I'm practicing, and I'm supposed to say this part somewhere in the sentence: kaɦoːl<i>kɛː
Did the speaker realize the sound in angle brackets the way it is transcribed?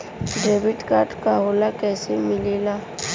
no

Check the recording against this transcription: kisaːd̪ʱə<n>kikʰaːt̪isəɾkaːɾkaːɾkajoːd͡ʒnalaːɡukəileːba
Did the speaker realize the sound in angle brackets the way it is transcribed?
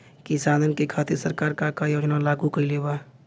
yes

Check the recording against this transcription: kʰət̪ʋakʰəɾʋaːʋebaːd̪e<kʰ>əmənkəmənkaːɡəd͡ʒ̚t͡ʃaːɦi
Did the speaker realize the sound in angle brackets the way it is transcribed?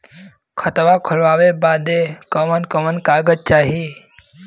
no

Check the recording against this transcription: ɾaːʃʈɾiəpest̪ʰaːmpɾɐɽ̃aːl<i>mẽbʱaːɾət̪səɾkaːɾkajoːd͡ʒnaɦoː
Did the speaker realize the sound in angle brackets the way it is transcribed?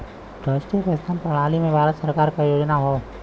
yes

